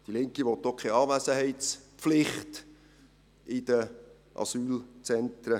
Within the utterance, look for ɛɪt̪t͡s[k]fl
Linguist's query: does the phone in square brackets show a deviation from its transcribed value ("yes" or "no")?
yes